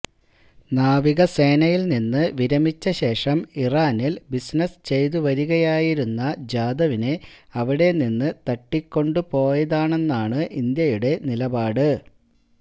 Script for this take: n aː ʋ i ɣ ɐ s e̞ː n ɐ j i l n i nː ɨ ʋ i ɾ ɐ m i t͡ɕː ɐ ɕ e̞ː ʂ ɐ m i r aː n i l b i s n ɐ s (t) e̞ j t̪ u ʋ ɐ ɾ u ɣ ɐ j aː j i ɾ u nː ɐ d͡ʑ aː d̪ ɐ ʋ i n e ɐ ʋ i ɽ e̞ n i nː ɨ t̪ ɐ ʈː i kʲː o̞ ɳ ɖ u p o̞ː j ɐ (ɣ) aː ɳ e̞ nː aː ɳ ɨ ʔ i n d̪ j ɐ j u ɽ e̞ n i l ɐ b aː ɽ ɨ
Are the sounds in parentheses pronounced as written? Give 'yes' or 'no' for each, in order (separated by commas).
no, no